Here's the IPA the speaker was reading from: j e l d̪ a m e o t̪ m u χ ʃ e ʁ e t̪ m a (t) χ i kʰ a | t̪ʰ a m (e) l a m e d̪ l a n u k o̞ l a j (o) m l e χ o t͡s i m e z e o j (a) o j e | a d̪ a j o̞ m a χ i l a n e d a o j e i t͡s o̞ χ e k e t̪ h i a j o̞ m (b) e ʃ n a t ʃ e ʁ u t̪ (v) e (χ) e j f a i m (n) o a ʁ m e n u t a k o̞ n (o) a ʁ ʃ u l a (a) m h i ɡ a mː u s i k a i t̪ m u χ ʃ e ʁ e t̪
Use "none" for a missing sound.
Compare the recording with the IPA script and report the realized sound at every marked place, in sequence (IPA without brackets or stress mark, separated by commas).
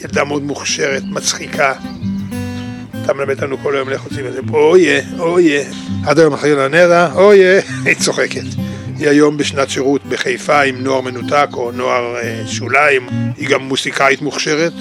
t͡s, e, o, e, b, b, χ, n, o, i